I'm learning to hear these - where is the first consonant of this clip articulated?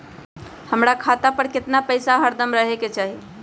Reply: throat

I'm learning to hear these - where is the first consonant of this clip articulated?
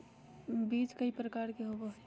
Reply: lips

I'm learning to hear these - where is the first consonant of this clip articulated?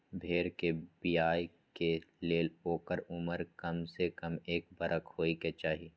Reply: lips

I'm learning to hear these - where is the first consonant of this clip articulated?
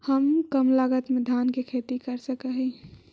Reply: throat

